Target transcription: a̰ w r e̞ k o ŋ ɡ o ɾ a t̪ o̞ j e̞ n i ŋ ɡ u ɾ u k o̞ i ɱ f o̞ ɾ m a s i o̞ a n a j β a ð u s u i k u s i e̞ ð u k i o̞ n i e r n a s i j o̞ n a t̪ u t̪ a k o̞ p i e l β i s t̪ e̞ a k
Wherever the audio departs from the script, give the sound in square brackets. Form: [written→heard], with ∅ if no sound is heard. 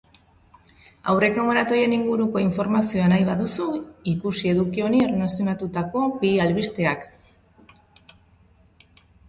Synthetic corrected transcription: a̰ w r e̞ k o ŋ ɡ o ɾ a t̪ o̞ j e̞ n i ŋ ɡ u ɾ u k o̞ i ɱ f o̞ ɾ m a s i o̞ a n a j β a ð u s u i k u s i e̞ ð u k i o̞ n i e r n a s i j o̞ n a t̪ u t̪ a k o̞ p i [e→a] l β i s t̪ e̞ a k